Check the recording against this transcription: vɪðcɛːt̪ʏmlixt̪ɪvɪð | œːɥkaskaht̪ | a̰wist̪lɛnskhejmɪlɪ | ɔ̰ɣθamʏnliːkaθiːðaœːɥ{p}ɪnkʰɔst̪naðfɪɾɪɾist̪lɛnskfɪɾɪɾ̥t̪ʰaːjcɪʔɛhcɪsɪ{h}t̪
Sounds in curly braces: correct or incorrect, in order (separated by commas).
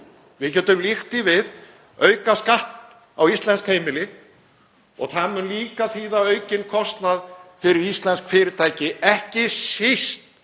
incorrect, incorrect